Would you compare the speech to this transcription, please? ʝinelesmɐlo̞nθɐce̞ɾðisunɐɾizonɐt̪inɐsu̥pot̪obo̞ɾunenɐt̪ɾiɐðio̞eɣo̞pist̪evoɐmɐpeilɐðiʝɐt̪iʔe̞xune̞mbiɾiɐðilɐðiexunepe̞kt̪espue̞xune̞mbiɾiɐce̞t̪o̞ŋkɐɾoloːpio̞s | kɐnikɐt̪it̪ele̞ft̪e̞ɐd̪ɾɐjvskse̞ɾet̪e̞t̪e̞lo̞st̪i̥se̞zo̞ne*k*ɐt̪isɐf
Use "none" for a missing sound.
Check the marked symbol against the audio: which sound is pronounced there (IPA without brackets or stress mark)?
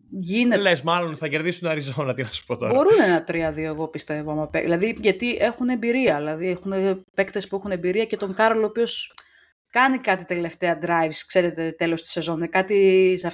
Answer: k